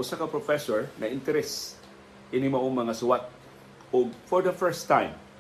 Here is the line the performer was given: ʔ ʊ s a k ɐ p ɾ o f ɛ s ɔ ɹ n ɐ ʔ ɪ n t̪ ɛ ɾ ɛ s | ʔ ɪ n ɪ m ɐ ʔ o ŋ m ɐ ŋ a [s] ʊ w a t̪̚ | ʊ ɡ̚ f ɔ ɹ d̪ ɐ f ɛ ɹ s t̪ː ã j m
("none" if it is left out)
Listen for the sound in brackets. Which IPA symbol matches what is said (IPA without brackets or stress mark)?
s